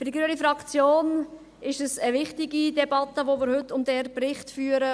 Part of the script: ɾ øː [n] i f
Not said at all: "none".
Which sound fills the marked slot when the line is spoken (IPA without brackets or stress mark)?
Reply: n